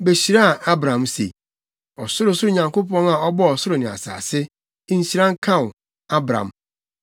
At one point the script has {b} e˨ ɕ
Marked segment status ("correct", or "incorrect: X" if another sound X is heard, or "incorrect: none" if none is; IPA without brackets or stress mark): correct